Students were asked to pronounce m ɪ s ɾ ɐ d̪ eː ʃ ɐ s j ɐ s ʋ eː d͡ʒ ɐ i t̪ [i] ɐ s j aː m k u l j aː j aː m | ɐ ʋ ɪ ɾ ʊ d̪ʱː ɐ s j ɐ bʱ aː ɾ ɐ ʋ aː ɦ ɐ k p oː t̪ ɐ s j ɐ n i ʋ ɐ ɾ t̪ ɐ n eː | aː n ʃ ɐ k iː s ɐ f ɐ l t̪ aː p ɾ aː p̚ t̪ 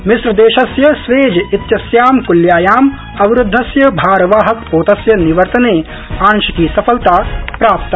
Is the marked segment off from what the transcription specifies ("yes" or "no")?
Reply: yes